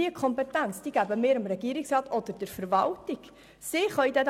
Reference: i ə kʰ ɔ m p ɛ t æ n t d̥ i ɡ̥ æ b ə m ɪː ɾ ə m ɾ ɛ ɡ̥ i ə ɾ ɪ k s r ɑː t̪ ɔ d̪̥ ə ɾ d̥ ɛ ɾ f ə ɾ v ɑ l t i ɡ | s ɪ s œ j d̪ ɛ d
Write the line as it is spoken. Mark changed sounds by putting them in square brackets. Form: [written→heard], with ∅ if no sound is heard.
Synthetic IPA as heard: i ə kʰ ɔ m p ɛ t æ n [t→t͡s] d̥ i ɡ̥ æ b ə m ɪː ɾ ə m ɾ ɛ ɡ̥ i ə ɾ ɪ k s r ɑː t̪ ɔ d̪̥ ə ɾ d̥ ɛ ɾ f ə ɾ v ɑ l t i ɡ | s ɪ [s→χ] œ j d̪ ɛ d